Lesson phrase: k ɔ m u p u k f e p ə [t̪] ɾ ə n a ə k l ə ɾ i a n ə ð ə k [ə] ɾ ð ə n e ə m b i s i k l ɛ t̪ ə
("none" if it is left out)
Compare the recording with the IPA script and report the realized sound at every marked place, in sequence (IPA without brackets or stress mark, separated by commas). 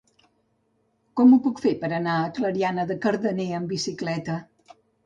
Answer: none, ə